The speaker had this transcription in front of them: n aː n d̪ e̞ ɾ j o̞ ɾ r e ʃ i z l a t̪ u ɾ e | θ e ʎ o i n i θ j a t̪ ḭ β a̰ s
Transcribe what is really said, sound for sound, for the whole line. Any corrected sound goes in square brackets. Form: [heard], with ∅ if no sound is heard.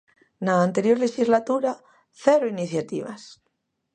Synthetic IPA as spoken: n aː n [t̪] e̞ ɾ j o̞ ɾ [l] e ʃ i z l a t̪ u ɾ [a] | θ e [ɾ] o i n i θ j a t̪ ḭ β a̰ s